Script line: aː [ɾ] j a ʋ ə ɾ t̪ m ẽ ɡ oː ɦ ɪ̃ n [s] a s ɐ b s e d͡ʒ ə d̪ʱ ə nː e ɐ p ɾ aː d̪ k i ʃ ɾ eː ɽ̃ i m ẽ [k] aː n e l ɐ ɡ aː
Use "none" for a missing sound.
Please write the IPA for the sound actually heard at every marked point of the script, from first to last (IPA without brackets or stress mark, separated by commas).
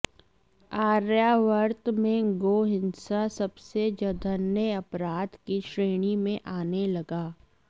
ɾ, s, ʔ